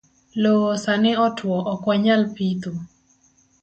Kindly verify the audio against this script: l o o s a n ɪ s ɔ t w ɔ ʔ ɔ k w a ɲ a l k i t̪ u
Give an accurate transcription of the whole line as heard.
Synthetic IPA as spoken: l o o s a n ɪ ɔ t w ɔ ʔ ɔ k w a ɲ a l p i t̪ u